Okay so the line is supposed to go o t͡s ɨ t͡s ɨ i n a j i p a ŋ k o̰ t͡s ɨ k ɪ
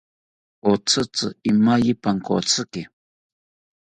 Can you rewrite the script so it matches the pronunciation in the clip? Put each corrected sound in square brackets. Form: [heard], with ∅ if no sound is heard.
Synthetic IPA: o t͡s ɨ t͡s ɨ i [m] a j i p a ŋ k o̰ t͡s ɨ k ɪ

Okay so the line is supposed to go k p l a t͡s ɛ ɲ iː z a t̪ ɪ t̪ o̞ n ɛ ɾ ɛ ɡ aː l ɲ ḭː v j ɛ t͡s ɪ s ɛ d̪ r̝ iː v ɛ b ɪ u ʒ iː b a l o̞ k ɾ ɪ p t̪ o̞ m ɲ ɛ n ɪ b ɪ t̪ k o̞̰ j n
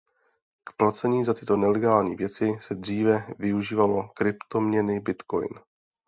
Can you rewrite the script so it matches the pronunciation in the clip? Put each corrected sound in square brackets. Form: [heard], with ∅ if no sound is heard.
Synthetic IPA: k p l a t͡s ɛ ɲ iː z a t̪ ɪ t̪ o̞ n ɛ [l] ɛ ɡ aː l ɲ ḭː v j ɛ t͡s ɪ s ɛ d̪ r̝ iː v ɛ [v] ɪ u ʒ iː [v] a l o̞ k ɾ ɪ p t̪ o̞ m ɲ ɛ n ɪ b ɪ t̪ k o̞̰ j n

